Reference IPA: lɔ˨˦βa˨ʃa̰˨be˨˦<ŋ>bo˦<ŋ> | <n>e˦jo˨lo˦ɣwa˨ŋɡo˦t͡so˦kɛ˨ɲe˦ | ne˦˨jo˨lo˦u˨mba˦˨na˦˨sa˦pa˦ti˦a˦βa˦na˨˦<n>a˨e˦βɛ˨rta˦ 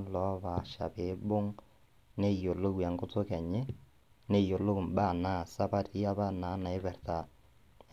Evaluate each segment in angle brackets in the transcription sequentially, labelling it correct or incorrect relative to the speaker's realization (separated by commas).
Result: incorrect, correct, correct, correct